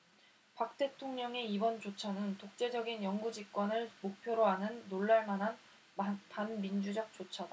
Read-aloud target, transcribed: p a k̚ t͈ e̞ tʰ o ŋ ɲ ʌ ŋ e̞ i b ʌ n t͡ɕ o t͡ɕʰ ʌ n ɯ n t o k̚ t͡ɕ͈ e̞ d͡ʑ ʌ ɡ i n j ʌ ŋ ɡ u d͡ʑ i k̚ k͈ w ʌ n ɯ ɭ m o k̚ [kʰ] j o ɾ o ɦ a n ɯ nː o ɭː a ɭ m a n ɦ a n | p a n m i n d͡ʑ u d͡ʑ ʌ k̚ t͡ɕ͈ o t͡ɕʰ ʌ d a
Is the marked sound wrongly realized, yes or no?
yes